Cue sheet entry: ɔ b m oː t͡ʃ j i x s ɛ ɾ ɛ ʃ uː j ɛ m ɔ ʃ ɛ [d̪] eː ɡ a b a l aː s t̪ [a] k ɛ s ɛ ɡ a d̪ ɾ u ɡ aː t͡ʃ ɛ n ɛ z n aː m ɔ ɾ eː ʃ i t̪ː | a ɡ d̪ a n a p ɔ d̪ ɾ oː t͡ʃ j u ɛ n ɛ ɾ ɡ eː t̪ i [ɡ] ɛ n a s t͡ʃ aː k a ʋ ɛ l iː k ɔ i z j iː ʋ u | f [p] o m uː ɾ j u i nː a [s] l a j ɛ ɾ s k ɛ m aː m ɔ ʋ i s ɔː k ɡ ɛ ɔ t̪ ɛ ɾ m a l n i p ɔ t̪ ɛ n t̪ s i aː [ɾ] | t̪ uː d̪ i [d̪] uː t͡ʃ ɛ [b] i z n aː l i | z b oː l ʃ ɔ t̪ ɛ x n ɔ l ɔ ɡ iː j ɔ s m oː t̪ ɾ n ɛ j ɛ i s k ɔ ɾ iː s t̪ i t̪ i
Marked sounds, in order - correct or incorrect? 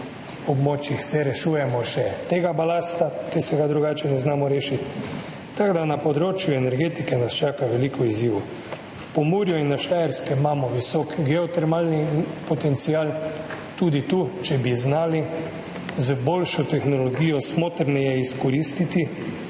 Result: incorrect: t̪, correct, incorrect: k, correct, incorrect: ʃ, incorrect: l, incorrect: t̪, correct

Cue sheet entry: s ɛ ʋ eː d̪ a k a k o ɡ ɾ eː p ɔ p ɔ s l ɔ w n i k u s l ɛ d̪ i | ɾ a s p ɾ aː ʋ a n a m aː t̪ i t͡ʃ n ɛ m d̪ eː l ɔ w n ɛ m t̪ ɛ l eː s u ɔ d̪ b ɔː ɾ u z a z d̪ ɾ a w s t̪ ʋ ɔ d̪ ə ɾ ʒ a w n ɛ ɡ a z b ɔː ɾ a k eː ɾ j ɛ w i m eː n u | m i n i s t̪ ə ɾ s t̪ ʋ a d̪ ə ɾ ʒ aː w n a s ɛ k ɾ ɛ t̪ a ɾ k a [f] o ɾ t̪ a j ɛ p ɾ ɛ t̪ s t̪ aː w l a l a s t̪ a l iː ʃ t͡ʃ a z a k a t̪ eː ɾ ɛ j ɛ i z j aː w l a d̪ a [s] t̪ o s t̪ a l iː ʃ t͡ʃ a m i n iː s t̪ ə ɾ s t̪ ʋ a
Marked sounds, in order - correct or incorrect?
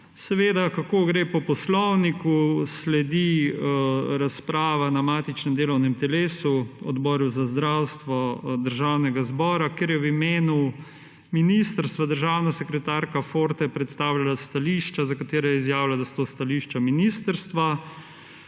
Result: correct, correct

